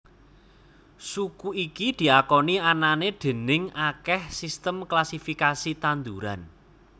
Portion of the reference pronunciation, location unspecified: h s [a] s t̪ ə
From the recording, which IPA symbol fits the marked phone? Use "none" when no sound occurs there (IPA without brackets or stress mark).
i